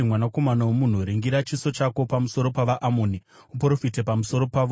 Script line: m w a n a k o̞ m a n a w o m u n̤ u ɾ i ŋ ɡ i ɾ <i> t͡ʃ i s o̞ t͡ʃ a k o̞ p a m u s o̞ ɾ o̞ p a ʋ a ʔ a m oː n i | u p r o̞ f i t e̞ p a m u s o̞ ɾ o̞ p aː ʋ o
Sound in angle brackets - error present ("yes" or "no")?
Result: yes